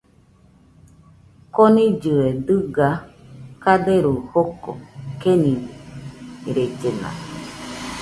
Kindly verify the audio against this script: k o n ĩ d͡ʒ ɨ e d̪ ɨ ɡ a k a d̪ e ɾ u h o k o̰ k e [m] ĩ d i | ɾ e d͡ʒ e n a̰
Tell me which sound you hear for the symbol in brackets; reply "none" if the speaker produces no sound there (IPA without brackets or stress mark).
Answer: n